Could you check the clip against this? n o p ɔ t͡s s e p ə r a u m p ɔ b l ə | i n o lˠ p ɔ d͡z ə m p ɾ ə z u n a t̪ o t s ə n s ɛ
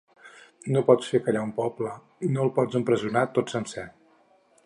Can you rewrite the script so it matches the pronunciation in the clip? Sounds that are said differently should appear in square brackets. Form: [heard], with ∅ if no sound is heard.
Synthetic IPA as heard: n o p ɔ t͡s [f] e [k] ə [ʎ] a u m p ɔ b l ə | i n o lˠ p ɔ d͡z ə m p ɾ ə z u n a t̪ o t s ə n s ɛ